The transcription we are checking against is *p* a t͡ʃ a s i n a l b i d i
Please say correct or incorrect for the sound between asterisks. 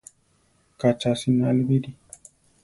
incorrect